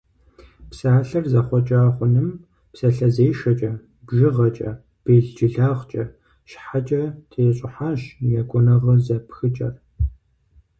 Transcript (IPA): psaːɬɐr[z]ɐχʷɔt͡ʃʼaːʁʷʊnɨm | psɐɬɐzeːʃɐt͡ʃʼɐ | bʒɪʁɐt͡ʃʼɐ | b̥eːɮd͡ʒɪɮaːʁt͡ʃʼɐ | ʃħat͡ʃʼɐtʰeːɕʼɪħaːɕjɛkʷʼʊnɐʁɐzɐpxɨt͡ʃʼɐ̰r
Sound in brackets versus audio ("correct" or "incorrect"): correct